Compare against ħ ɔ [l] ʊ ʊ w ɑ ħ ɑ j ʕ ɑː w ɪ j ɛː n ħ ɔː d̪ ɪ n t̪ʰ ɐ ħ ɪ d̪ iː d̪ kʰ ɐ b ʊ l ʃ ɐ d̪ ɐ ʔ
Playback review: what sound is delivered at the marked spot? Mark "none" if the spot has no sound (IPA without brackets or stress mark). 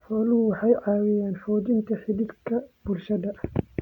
l